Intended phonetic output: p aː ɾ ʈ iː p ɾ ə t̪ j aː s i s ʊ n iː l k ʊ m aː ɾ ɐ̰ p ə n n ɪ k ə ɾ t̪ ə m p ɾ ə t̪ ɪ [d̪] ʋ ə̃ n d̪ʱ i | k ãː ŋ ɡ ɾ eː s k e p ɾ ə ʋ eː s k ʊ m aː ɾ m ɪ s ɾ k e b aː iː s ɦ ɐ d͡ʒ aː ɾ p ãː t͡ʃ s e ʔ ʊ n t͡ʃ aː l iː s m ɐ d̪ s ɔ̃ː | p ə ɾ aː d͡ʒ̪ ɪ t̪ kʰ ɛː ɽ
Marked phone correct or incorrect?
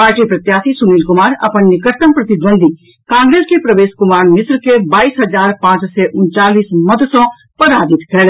correct